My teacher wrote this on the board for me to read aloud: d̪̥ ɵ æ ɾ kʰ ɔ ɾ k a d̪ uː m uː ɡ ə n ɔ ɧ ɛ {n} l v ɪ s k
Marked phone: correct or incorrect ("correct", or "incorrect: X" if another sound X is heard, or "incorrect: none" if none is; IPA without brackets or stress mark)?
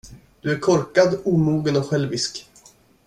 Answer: incorrect: none